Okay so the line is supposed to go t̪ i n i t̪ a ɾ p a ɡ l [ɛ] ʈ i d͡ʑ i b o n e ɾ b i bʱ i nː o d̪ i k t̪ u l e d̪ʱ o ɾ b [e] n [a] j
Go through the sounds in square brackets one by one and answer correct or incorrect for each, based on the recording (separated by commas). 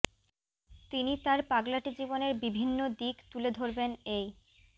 incorrect, correct, incorrect